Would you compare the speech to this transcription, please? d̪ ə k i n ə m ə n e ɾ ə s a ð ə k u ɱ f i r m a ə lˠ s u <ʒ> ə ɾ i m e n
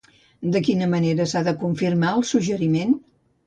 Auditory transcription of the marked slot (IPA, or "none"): ʒ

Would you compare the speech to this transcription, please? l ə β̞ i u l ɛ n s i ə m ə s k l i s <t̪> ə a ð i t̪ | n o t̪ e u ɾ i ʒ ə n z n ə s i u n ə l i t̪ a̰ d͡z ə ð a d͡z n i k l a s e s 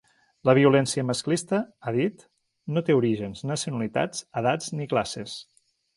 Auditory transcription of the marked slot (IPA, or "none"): t̪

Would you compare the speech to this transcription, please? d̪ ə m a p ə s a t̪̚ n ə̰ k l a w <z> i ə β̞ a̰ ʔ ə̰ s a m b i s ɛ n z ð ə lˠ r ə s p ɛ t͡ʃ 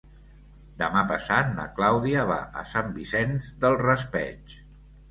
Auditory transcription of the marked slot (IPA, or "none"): ð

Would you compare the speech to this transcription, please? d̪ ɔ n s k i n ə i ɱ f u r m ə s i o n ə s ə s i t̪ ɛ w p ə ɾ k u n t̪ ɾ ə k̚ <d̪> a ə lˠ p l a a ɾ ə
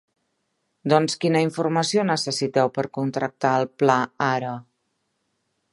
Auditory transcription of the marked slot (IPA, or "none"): t̪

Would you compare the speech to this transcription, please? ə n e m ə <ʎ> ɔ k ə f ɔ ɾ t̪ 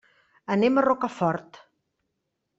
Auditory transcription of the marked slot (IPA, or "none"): r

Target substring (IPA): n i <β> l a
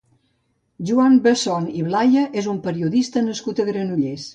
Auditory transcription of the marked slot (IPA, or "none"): β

